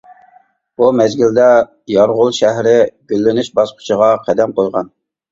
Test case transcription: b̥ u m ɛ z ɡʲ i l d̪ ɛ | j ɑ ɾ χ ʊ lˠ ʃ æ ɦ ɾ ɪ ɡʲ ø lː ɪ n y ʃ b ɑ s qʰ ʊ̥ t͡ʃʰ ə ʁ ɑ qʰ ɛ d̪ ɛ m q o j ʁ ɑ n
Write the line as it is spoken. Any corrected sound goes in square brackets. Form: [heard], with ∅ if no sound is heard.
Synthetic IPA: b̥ u m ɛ z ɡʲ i l d̪ ɛ | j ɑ ɾ [ʁ] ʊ lˠ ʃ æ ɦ ɾ ɪ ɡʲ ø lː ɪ n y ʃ b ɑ s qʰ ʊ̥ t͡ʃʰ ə ʁ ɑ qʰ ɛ d̪ ɛ m q o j ʁ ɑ n